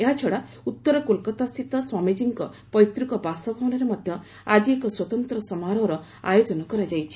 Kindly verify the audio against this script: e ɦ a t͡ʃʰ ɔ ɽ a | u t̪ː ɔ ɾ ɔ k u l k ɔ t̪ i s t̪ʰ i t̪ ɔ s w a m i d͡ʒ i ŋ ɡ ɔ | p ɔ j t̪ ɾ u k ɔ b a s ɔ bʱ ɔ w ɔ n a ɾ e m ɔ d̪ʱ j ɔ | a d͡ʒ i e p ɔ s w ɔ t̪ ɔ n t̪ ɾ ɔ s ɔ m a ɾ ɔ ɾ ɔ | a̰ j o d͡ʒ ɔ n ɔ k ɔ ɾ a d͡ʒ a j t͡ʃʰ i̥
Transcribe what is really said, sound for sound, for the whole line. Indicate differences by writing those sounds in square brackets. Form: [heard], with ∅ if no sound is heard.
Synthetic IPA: e ɦ a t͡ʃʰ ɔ ɽ a | u t̪ː ɔ ɾ ɔ k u l k ɔ t̪ [a] s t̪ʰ i t̪ ɔ s w a m i d͡ʒ i ŋ [k] ɔ | p ɔ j t̪ ɾ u k ɔ b a s ɔ bʱ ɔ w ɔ n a ɾ e m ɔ d̪ʱ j ɔ | a d͡ʒ i e [k] ɔ s w ɔ t̪ ɔ n t̪ ɾ ɔ s ɔ m a ɾ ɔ ɾ ɔ | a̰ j o d͡ʒ ɔ n ɔ k ɔ ɾ a d͡ʒ a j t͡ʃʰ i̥